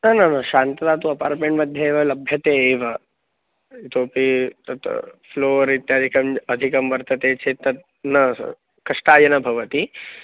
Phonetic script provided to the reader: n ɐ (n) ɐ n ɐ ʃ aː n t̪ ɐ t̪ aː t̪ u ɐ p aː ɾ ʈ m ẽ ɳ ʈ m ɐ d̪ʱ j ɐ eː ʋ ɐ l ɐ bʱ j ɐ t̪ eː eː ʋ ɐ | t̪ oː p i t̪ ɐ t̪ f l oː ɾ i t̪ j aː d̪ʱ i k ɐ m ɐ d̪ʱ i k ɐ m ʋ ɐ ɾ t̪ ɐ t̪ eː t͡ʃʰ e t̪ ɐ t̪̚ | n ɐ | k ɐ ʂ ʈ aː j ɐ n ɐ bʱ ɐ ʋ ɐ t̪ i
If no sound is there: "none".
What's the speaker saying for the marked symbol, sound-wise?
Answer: n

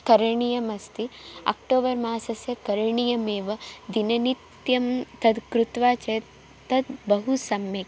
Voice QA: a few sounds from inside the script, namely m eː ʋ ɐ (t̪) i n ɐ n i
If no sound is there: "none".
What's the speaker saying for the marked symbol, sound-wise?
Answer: d̪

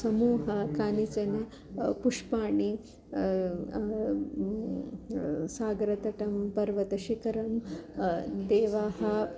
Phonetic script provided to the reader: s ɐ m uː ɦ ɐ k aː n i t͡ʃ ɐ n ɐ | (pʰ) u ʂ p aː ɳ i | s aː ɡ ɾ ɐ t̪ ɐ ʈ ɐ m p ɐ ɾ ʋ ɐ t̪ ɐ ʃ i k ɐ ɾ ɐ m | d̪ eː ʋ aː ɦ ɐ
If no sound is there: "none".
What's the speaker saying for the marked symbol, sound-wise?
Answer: p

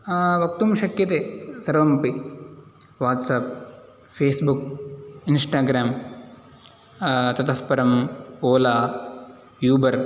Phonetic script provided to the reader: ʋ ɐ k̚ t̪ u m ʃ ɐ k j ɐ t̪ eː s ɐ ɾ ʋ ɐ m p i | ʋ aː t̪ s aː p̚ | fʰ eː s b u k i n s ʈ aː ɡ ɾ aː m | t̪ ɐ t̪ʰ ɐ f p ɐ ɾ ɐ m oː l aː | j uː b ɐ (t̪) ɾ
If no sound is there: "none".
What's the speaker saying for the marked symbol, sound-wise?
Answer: none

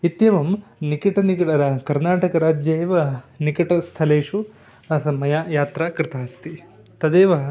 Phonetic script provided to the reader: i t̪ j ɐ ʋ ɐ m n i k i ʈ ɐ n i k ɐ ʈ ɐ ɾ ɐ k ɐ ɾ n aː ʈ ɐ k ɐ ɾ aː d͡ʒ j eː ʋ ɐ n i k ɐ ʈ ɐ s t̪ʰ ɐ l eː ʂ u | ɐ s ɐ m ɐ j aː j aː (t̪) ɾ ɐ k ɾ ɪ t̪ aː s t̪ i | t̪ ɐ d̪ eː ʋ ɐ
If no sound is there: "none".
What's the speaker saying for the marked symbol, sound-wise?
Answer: t̪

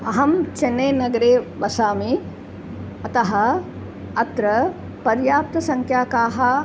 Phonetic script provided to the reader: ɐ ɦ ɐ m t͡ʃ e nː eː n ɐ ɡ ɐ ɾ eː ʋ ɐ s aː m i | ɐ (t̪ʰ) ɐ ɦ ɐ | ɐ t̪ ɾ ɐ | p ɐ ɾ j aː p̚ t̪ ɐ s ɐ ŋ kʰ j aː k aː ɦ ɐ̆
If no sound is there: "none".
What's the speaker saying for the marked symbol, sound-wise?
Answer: t̪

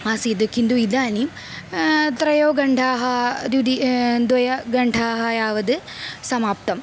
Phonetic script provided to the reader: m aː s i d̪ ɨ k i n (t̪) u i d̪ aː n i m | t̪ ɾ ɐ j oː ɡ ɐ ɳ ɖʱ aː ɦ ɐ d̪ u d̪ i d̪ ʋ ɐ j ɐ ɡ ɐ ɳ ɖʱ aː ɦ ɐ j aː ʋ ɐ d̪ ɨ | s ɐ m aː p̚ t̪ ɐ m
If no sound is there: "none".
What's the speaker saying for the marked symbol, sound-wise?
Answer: d̪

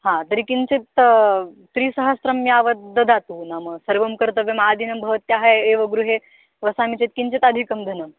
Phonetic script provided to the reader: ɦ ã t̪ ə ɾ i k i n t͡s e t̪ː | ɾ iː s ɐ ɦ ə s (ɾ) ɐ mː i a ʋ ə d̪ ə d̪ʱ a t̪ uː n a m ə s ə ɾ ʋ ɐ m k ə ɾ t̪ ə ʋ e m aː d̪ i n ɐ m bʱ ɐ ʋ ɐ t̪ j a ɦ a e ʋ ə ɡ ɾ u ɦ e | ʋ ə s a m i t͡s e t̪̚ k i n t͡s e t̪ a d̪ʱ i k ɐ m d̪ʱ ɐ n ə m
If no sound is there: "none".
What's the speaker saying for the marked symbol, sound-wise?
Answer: ɾ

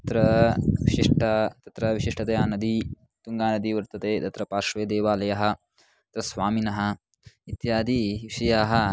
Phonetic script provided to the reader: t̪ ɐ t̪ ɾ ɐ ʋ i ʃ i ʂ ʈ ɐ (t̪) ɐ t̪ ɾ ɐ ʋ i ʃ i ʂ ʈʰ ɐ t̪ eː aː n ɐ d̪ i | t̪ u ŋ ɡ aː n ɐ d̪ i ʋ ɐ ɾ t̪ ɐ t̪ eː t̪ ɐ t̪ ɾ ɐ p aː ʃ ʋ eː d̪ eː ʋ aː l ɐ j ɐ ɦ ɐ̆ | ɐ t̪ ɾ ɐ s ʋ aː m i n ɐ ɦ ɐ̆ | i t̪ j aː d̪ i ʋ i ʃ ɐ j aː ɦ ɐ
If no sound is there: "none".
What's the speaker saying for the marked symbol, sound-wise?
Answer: t̪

